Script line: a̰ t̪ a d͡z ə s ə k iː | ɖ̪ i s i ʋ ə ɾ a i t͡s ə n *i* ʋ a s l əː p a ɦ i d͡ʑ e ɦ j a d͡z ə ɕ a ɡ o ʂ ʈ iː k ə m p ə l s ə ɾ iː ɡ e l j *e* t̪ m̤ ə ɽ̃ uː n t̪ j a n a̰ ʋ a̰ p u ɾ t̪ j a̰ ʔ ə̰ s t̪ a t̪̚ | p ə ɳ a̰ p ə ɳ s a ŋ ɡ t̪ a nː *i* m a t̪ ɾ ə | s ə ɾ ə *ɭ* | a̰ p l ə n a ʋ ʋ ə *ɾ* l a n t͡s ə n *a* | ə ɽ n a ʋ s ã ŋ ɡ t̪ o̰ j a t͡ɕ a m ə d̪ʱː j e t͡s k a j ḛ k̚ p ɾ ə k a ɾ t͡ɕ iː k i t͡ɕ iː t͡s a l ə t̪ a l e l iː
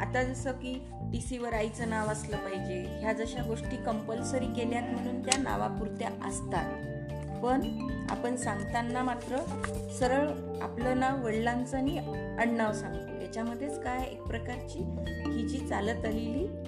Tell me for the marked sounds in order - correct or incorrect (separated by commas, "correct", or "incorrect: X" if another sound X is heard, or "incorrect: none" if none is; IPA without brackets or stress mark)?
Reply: incorrect: a, incorrect: a, incorrect: a, correct, incorrect: ɽ, incorrect: i